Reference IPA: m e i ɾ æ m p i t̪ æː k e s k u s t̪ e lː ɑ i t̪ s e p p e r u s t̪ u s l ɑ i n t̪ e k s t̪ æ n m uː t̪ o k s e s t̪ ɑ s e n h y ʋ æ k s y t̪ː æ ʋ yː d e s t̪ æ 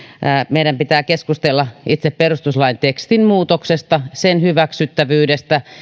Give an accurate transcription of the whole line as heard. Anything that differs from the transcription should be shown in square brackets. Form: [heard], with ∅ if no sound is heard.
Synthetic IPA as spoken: m e i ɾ æ m p i t̪ æː k e s k u s t̪ e lː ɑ i t̪ s e p p e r u s t̪ u s l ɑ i n t̪ e k s t̪ [i] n m uː t̪ o k s e s t̪ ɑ s e n h y ʋ æ k s y t̪ː æ ʋ yː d e s t̪ æ